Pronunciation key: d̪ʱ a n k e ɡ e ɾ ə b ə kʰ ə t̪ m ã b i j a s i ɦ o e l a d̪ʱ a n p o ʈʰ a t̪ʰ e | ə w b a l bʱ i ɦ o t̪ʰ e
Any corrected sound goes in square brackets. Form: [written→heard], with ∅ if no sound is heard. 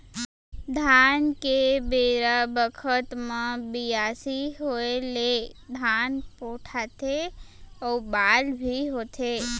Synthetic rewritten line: d̪ʱ a n k e [ɡ→b] e ɾ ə b ə kʰ ə t̪ m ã b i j a s i ɦ o e l [a→e] d̪ʱ a n p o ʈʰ a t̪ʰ e | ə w b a l bʱ i ɦ o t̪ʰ e